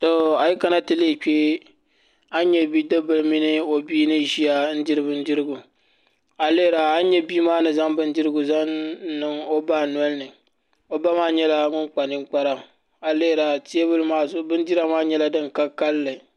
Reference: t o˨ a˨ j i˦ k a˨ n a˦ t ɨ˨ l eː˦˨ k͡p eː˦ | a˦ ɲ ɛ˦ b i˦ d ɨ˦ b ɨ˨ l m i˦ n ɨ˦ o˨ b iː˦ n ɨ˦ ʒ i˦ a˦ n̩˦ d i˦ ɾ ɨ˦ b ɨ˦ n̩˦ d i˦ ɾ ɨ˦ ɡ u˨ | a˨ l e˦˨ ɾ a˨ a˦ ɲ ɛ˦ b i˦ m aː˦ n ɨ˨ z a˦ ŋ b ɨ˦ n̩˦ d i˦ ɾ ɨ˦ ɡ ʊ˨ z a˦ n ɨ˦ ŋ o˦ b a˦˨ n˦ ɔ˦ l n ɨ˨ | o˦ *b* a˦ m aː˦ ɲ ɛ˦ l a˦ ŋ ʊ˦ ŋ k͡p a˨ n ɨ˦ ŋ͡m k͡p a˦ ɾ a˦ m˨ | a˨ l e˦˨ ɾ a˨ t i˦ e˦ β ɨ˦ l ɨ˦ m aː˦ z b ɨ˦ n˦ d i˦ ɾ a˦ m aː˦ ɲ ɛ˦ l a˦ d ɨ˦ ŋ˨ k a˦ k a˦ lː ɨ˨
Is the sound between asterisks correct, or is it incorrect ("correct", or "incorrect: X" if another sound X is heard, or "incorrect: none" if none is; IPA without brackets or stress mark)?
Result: correct